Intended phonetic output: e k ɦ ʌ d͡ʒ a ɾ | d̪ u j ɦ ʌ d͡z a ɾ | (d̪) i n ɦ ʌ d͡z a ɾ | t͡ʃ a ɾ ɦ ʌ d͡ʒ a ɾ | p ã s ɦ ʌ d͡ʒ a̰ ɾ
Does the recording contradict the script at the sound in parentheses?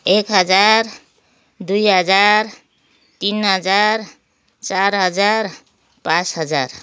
yes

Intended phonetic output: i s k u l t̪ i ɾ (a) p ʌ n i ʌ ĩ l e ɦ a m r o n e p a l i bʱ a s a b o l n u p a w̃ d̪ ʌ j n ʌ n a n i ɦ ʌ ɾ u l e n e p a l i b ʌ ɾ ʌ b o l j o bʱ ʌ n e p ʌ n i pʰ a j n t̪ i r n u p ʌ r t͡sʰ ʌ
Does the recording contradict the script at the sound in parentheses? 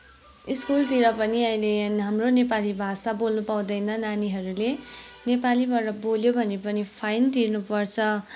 yes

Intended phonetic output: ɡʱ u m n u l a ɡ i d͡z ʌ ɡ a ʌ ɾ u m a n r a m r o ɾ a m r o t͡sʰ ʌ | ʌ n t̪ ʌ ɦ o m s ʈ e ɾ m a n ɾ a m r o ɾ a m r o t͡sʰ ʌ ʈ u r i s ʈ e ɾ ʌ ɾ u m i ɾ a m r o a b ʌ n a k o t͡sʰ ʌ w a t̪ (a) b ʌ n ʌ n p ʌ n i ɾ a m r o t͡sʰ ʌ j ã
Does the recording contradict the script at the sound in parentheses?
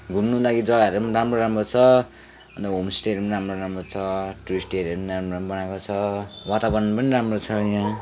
no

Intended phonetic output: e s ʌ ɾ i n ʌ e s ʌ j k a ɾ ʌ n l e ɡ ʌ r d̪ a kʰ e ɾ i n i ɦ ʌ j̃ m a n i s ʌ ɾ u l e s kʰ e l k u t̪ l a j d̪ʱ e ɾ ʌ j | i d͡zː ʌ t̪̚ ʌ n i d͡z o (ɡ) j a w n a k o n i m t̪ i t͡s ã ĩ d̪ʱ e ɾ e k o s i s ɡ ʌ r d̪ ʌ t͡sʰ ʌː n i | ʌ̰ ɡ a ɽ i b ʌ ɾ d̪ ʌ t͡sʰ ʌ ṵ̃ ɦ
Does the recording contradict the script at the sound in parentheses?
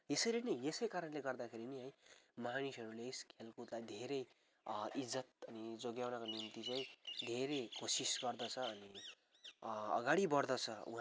no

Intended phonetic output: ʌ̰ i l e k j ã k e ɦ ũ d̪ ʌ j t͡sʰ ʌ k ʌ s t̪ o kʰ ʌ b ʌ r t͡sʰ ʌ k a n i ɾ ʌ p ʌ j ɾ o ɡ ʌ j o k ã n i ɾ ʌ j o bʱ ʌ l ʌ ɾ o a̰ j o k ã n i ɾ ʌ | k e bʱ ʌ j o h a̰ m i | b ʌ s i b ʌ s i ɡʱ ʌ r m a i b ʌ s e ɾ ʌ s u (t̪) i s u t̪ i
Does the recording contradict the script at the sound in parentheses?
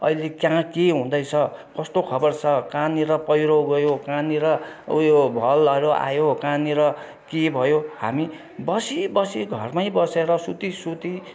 no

